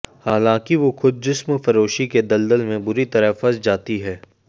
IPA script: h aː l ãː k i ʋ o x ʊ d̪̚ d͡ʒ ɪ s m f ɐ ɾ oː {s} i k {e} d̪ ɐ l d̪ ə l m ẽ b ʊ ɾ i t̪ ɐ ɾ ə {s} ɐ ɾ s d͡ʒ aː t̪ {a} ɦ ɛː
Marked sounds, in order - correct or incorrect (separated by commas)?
incorrect, correct, incorrect, incorrect